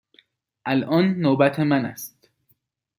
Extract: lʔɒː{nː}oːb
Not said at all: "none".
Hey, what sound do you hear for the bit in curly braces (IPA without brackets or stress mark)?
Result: nː